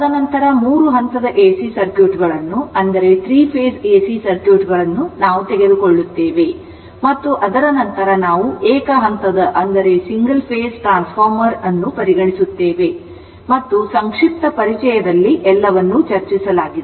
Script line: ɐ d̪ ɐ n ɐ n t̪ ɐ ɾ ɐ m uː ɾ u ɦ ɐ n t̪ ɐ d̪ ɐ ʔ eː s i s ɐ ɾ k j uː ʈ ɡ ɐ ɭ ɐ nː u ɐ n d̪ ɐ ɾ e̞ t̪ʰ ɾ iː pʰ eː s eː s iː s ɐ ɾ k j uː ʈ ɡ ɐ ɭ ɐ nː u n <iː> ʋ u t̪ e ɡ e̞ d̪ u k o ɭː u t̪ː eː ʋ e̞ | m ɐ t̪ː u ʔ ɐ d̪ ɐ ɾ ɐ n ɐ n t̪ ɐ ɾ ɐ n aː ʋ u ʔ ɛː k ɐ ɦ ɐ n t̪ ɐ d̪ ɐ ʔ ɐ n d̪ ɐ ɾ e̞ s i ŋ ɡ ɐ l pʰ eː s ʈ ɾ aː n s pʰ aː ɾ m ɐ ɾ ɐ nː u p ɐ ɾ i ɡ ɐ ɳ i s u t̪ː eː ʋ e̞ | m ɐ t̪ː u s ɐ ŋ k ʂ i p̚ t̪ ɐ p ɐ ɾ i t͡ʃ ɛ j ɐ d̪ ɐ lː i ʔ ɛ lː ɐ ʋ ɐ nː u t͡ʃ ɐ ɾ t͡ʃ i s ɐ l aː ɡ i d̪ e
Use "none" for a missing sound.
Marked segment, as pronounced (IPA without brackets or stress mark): aː